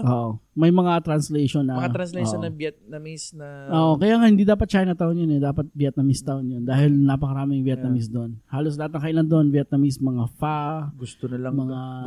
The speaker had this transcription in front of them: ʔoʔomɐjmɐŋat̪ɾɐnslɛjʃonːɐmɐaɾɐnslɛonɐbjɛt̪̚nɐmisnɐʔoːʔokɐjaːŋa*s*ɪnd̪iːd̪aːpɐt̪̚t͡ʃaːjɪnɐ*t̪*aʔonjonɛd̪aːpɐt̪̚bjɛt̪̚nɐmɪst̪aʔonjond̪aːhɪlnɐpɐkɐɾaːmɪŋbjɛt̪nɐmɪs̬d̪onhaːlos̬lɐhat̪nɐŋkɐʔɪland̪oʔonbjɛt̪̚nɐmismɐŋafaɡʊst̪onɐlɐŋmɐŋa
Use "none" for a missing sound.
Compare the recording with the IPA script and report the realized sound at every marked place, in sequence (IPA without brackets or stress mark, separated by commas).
h, t̪